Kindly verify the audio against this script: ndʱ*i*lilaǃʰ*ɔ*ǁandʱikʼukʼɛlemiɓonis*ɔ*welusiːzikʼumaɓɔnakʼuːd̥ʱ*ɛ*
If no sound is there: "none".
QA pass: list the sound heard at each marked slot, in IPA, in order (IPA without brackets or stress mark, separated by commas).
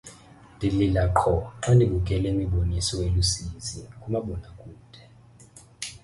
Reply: i, ɔ, ɔ, ɛ